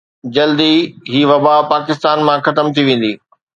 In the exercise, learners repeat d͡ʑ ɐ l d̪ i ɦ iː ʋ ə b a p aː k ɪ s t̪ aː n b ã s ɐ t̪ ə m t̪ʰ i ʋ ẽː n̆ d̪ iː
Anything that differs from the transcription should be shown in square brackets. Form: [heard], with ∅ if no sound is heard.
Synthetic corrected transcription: d͡ʑ ɐ l d̪ i ɦ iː ʋ [ɐ] b a p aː k ɪ s t̪ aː n [m] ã [x] ɐ t̪ ə m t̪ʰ i ʋ ẽː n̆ d̪ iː

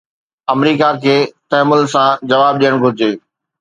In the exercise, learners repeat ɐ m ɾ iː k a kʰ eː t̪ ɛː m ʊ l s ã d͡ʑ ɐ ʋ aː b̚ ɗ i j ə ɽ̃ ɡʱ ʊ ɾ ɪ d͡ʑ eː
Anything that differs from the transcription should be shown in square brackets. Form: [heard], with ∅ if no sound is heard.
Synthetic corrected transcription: ɐ m ɾ iː k a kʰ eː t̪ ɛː m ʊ l s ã d͡ʑ ɐ ʋ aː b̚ ɗ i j ə ɽ̃ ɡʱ ʊ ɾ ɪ d͡ʑ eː

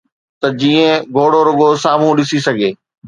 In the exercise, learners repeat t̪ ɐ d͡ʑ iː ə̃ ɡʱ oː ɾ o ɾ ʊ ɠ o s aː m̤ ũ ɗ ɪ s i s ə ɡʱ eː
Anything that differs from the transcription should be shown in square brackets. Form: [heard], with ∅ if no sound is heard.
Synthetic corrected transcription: t̪ ɐ d͡ʑ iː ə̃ ɡʱ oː [ɽ] o ɾ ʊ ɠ o s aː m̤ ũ ɗ ɪ s i s [ɐ] ɡʱ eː

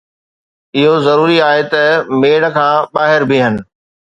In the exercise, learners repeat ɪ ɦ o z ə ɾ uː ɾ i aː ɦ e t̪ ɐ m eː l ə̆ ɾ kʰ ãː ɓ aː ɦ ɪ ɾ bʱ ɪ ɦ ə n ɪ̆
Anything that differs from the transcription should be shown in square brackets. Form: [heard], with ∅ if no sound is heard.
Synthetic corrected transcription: ɪ ɦ o z [ɐ] ɾ uː ɾ i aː ɦ e t̪ ɐ m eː [ɽ] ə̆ [∅] kʰ ãː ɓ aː ɦ ɪ ɾ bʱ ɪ ɦ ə n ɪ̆

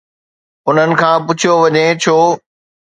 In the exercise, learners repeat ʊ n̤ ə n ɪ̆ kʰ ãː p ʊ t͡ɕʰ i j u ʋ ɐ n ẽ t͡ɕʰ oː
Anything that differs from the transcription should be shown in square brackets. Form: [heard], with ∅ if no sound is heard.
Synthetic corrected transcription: ʊ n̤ ə n ɪ̆ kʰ ãː p ʊ t͡ɕʰ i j [o] ʋ ɐ [ɲ] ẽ t͡ɕʰ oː

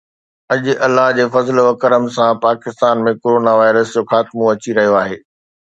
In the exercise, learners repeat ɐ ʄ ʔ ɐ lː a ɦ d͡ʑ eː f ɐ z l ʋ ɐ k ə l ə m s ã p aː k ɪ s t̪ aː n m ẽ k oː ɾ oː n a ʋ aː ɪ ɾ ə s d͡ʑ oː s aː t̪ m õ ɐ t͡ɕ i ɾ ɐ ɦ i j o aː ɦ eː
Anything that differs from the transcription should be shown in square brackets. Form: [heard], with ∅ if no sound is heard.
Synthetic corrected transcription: ɐ ʄ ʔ ɐ lː a ɦ d͡ʑ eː f ɐ z l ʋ ɐ k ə [ɾ] ə m s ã p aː k ɪ s t̪ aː n m ẽ k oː ɾ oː n a ʋ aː ɪ ɾ ə s d͡ʑ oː [x] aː t̪ m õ ɐ t͡ɕ i ɾ ɐ ɦ i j o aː ɦ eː

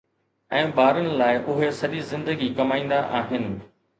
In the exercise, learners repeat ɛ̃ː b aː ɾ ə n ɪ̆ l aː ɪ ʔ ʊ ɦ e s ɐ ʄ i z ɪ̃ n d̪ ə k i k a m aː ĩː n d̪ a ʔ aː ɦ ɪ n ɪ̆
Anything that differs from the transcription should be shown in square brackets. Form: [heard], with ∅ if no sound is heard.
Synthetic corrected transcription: ɛ̃ː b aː ɾ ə n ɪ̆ l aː ɪ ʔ ʊ ɦ e s ɐ ʄ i z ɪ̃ n d̪ ə [ɡ] i k [ɐ] m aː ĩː n d̪ a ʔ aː ɦ ɪ n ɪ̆

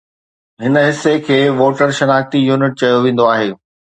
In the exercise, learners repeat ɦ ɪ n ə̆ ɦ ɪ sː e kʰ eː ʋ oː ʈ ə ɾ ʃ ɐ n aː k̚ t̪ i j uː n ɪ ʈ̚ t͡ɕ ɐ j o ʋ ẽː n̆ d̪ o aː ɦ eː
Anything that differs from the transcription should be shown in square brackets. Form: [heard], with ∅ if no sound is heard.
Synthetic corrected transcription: ɦ ɪ n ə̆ ɦ ɪ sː e kʰ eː ʋ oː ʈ ə ɾ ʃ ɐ n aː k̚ t̪ i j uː n ɪ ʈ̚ t͡ɕ ɐ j o ʋ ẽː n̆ d̪ o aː ɦ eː

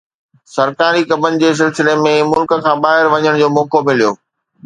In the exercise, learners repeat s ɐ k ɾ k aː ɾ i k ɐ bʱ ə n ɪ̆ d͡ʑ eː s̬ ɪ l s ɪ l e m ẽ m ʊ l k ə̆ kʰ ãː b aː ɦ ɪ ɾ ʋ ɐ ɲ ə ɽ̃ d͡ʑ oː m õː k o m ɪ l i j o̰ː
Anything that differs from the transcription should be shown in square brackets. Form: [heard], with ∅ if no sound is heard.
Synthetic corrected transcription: s ɐ [∅] ɾ k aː ɾ i k ɐ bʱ ə n ɪ̆ d͡ʑ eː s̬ ɪ l s ɪ l e m ẽ m ʊ l k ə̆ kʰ ãː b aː ɦ ɪ ɾ ʋ ɐ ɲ ə ɽ̃ d͡ʑ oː m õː k o m ɪ l i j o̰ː

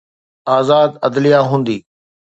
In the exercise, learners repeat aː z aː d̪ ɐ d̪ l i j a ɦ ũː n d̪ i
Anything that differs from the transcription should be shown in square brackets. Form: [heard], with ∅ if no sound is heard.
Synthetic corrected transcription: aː z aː d̪ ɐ d̪ l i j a ɦ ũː n d̪ [iː]

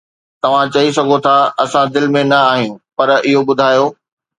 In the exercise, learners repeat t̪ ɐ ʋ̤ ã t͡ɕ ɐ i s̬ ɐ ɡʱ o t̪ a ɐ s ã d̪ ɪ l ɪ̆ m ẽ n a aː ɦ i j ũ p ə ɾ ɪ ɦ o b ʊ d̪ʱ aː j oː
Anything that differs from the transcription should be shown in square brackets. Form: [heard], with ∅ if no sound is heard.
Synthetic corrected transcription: t̪ ɐ ʋ̤ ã t͡ɕ ɐ i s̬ ɐ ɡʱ o [t̪ʰ] a ɐ s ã d̪ ɪ l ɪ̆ m ẽ n [ɐ] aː ɦ i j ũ p [ɐ] ɾ ɪ ɦ o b ʊ d̪ʱ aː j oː

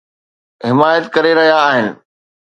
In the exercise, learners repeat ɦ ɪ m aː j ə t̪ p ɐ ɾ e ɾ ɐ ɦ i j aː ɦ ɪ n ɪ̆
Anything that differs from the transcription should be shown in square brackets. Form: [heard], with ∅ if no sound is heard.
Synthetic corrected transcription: ɦ ɪ m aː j ə t̪ [k] ɐ ɾ e ɾ ɐ ɦ i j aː ɦ ɪ n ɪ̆

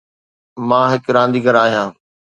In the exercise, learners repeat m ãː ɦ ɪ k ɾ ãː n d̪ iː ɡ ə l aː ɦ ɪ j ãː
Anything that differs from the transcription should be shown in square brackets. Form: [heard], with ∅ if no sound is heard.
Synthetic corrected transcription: m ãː ɦ ɪ k ɾ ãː n d̪ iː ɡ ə [ɾ] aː ɦ [i] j ãː

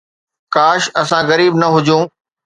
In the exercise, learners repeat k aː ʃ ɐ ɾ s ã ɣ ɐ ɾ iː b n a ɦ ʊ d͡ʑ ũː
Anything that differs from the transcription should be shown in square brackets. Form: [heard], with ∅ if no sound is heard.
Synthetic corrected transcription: k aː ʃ ɐ [∅] s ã ɣ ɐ ɾ iː b n [ɐ] ɦ ʊ d͡ʑ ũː

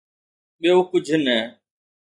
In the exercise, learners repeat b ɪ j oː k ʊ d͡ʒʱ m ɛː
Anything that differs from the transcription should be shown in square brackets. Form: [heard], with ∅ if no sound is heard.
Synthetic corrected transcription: [ɓ] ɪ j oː k ʊ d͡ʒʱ [n] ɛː

